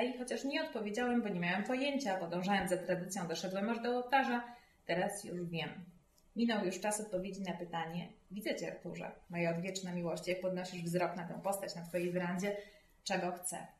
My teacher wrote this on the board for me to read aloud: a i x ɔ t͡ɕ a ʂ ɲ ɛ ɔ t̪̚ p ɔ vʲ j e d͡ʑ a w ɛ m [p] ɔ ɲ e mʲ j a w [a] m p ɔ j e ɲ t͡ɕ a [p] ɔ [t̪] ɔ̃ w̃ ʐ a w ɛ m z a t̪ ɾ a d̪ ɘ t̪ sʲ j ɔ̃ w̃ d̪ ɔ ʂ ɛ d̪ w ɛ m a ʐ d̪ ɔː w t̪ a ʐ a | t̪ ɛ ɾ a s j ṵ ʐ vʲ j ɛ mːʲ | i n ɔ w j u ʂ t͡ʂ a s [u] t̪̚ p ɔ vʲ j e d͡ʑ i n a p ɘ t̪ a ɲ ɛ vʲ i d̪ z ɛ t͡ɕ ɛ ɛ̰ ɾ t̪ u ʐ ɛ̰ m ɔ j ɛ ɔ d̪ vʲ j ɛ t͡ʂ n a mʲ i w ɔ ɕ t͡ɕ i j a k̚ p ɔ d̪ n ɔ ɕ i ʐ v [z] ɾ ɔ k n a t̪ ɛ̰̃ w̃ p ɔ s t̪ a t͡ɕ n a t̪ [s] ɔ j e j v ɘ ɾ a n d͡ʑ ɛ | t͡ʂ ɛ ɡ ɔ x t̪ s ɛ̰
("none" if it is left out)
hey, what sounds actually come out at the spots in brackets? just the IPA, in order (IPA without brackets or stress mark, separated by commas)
b, ɛ, p, d̪, ɔ, z, f